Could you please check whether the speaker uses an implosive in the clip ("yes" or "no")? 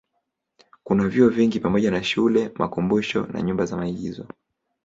yes